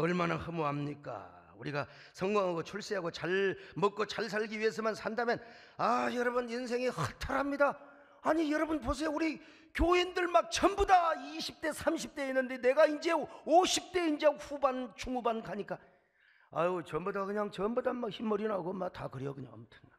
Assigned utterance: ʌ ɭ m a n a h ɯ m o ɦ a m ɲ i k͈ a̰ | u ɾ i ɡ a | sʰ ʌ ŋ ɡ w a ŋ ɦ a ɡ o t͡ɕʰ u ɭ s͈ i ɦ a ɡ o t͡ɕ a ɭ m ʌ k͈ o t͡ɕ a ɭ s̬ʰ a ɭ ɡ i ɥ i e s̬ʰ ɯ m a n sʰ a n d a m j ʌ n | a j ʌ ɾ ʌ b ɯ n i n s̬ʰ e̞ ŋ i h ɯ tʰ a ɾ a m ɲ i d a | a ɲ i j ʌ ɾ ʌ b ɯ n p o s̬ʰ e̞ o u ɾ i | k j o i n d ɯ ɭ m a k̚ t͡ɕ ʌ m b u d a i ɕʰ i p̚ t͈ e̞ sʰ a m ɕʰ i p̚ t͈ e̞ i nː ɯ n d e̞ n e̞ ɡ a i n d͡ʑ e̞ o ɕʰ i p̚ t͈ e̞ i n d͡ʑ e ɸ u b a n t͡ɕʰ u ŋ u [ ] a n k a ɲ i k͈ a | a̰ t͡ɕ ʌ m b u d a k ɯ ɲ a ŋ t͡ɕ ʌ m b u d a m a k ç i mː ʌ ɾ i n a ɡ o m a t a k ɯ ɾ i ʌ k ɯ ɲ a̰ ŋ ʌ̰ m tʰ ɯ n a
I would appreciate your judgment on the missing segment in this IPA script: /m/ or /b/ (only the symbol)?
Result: b